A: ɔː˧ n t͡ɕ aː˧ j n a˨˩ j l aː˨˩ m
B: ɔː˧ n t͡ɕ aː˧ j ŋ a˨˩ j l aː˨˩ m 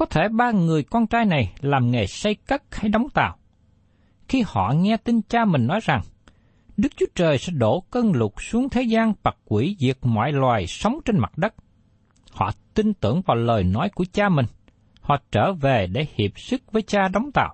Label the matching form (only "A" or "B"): A